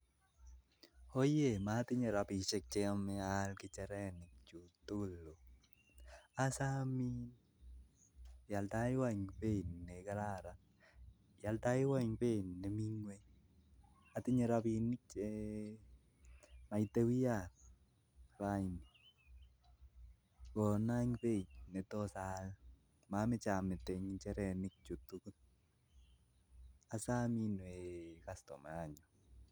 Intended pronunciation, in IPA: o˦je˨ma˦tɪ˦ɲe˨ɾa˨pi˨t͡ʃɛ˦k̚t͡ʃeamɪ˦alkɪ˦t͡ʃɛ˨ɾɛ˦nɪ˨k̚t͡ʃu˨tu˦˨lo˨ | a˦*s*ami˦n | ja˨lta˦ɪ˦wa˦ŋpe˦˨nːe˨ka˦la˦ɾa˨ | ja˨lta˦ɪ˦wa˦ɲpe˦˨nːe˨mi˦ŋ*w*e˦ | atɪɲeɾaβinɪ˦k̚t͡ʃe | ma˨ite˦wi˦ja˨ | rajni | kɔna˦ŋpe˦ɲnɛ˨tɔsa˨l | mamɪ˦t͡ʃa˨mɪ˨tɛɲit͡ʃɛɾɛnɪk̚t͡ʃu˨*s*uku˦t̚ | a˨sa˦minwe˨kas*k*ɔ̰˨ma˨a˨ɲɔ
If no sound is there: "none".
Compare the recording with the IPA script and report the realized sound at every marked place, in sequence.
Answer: s, w, t, t

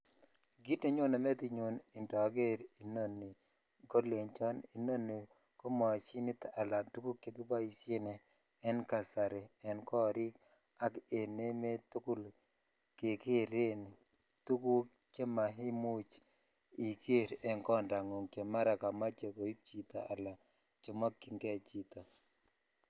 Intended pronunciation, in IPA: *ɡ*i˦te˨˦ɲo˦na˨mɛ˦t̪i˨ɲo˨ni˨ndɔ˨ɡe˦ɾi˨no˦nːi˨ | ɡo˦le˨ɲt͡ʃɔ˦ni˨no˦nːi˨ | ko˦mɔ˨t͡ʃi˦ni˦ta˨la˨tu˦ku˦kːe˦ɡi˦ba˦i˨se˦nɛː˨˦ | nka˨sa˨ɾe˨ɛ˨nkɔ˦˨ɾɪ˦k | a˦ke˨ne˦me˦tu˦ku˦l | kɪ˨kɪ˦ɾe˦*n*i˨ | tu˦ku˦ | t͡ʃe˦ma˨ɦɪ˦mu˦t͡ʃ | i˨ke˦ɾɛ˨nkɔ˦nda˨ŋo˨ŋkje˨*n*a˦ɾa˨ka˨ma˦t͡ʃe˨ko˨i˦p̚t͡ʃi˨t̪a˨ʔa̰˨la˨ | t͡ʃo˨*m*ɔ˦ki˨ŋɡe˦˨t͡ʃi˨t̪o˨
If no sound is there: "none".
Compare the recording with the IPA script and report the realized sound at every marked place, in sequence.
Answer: ɡ, n, m, m

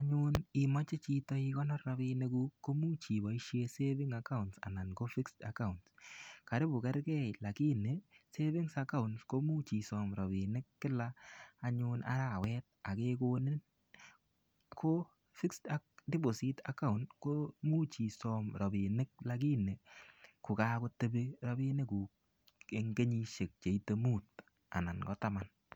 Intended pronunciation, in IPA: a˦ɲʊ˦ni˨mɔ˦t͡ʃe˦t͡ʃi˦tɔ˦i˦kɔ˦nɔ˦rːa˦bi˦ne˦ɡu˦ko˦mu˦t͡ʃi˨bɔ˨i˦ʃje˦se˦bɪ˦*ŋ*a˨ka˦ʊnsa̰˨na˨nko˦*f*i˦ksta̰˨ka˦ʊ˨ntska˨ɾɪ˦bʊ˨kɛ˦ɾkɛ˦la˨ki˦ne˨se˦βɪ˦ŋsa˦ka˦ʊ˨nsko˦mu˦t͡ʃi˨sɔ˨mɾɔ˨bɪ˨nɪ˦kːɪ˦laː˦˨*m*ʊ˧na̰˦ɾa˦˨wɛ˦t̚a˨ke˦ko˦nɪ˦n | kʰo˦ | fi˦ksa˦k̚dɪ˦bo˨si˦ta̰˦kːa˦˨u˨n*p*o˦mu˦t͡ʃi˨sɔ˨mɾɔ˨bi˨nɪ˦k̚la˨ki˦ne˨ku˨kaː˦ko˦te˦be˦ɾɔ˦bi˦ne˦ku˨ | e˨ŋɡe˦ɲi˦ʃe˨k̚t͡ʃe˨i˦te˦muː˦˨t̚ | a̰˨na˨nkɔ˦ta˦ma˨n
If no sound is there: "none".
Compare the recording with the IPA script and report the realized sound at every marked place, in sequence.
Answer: ŋ, f, ɲ, k

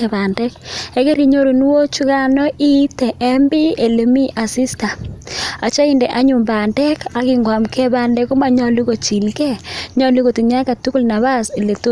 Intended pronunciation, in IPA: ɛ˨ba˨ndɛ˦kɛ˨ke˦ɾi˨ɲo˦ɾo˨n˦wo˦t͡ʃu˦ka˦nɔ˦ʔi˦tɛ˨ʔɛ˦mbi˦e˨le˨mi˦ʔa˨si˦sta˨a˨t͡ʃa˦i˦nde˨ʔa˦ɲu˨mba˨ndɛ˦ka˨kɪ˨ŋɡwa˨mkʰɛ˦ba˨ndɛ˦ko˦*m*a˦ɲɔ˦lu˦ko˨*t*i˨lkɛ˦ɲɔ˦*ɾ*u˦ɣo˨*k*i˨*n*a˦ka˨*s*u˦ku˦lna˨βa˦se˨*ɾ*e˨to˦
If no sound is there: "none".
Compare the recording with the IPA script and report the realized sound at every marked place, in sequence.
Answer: m, t͡ʃ, l, t, ɲ, t, l

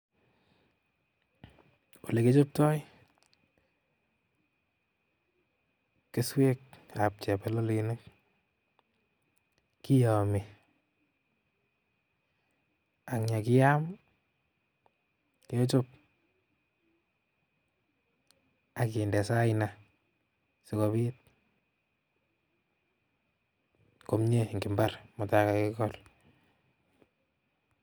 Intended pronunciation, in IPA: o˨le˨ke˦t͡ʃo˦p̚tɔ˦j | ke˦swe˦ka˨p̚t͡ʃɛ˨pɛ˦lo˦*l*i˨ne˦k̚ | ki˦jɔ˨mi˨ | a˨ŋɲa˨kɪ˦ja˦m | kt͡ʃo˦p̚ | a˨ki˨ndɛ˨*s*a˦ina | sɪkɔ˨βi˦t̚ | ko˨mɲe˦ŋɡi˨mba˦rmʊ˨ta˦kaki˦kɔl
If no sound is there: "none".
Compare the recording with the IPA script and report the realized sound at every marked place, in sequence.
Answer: l, s

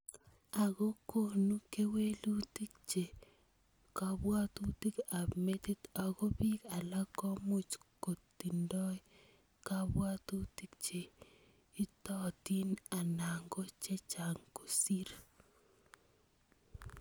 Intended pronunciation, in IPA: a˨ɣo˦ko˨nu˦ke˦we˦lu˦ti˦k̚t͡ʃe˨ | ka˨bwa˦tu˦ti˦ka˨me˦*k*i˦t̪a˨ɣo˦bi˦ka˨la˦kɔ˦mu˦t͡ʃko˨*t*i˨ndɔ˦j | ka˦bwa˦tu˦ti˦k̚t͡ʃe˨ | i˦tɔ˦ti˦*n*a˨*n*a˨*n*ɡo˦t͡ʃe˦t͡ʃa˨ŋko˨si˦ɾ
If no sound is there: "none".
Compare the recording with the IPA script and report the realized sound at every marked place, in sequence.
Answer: t, t, n, n, ŋ

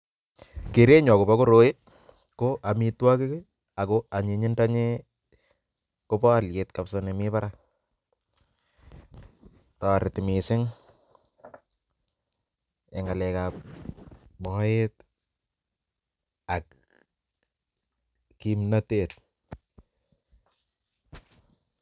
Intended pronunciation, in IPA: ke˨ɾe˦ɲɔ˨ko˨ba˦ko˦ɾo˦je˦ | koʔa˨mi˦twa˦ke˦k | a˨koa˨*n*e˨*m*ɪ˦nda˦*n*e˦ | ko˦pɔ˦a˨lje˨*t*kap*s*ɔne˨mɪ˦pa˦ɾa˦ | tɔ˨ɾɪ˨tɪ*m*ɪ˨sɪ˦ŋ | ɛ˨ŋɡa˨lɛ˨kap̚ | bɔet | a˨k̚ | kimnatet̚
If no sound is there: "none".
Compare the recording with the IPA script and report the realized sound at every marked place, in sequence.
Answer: ɲ, ɲ, ɲ, t, s, m

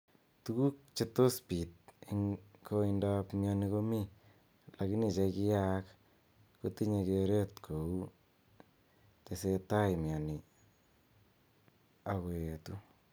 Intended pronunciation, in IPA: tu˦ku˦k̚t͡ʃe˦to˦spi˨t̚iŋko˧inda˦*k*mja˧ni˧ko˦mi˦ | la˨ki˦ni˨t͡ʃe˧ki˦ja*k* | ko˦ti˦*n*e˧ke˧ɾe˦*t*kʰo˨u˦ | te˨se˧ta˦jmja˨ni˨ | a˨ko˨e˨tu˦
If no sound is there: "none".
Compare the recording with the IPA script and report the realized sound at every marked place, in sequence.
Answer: p, k, ɲ, t

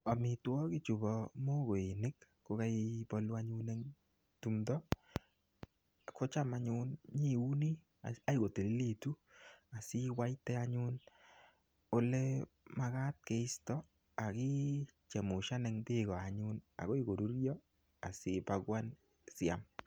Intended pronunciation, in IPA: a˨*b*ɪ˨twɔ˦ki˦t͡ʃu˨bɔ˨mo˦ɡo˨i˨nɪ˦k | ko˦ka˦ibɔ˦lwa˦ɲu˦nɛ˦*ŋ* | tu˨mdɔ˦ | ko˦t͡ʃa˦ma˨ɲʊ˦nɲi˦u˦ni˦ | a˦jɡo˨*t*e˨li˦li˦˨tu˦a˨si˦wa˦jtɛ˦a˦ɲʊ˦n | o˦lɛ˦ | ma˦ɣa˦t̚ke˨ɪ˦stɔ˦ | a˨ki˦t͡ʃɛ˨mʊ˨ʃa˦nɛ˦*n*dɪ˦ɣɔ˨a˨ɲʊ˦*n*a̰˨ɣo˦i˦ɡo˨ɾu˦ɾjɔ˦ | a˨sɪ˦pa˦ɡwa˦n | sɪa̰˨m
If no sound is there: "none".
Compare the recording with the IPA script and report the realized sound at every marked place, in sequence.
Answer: m, ŋ, t, ŋ, n

